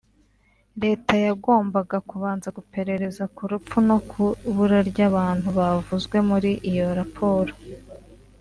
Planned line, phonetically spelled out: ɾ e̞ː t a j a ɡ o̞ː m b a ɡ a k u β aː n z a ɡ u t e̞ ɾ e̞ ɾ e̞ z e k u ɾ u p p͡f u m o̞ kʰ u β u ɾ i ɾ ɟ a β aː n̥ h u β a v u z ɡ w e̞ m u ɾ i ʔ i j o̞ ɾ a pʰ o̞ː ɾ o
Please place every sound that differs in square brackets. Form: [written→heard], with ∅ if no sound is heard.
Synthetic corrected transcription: ɾ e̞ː t a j a ɡ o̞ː m b a ɡ a k u β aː n z a ɡ u [t→p] e̞ ɾ e̞ ɾ e̞ z [e→a] k u ɾ u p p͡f u [m→n] o̞ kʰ u β u ɾ [i→a] ɾ ɟ a β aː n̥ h u β a v u z ɡ w e̞ m u ɾ i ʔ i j o̞ ɾ a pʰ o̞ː ɾ o